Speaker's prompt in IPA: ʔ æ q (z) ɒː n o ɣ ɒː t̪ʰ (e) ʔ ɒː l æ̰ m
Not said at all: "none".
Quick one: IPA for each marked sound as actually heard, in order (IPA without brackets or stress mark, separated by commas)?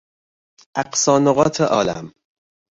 s, e